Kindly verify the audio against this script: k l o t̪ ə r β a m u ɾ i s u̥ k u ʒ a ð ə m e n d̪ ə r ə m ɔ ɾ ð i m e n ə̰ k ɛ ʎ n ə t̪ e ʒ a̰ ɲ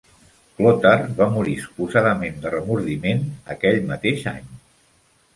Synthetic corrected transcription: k l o t̪ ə r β a m u ɾ i s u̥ p u z a ð ə m e n d̪ ə r ə m u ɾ ð i m e n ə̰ k ɛ ʎ m ə t̪ e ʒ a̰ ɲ

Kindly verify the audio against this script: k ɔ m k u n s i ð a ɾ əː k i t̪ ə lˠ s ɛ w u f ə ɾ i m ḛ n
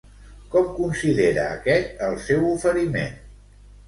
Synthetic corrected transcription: k ɔ m k u n s i ð e ɾ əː k ɛ t̪ ə lˠ s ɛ w u f ə ɾ i m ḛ n

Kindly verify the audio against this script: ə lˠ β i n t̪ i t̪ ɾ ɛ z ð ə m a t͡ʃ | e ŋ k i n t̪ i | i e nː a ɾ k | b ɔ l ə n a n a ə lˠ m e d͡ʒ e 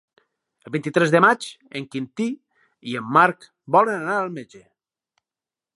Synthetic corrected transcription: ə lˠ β i n t̪ i t̪ ɾ ɛ z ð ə m a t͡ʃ | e ŋ k i n t̪ i | i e mː a ɾ k | b ɔ l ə n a n a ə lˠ m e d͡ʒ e

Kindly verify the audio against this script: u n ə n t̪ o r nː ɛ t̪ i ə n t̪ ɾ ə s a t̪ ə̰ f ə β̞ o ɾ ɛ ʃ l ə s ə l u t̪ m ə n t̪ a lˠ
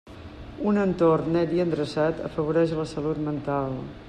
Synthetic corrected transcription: u n ə n t̪ o r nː ɛ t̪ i ə n d̪ ɾ ə s a t̪ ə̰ f ə β̞ u ɾ ɛ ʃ l ə s ə l u t̪ m ə n t̪ a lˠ

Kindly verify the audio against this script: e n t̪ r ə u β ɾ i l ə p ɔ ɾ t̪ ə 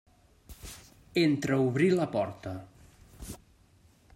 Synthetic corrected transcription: e n t̪ ɾ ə u β ɾ i l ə p ɔ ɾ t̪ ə

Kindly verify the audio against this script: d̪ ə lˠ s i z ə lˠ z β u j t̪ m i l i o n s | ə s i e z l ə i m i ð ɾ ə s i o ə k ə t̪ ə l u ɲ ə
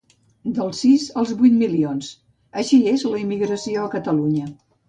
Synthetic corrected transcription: d̪ ə lˠ s i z ə lˠ z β u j t̪ m i l i o n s | ə ʃ i e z l ə i m i ɣ ɾ ə s i o ə k ə t̪ ə l u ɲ ə

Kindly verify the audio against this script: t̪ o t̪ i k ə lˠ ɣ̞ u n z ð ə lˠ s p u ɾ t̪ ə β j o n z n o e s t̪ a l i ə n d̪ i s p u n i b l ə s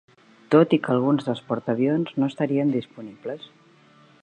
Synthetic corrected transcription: t̪ o t̪ i k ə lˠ ɣ̞ u n z ð ə lˠ s p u ɾ t̪ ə β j o n z n o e s t̪ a ɾ i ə n d̪ i s p u n i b l ə s

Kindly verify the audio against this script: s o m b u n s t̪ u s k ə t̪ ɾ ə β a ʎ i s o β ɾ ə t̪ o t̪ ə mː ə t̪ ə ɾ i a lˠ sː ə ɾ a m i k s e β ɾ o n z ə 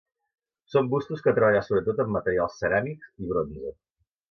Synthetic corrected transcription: s o m b u s t̪ u s k ə t̪ ɾ ə β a ʎ a s o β ɾ ə t̪ o t̪ ə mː ə t̪ ə ɾ i a lˠ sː ə ɾ a m i k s i β ɾ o n z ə

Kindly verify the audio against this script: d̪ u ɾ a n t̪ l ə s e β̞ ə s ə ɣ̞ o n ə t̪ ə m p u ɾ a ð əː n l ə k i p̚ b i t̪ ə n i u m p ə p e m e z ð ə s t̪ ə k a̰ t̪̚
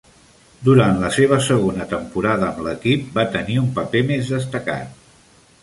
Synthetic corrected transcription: d̪ u ɾ a n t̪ l ə s e β̞ ə s ə ɣ̞ o n ə t̪ ə m p u ɾ a ð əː m l ə k i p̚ b a t̪ ə n i u m p ə p e m e z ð ə s t̪ ə k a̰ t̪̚

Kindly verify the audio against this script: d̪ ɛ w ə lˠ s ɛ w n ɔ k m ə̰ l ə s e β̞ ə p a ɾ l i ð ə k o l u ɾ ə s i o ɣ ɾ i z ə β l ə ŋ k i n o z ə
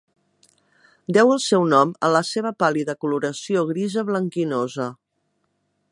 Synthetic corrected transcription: d̪ ɛ w ə lˠ s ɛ w n ɔ m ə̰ l ə s e β̞ ə p a l i ð ə k u l u ɾ ə s i o ɣ ɾ i z ə β l ə ŋ k i n o z ə

